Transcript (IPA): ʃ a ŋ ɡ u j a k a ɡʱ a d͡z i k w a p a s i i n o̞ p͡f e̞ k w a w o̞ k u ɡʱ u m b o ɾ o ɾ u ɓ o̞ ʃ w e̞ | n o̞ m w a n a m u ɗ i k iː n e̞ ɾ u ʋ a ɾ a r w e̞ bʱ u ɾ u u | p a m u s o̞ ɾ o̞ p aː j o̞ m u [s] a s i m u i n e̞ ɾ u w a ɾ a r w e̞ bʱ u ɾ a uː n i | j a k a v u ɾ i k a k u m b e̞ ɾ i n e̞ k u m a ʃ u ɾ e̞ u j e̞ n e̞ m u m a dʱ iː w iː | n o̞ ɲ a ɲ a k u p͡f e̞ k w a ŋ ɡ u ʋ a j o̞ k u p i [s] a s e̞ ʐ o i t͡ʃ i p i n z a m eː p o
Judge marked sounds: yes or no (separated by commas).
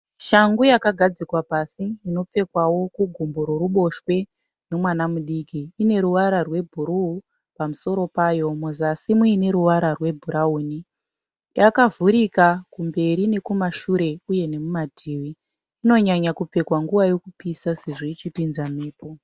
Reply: no, yes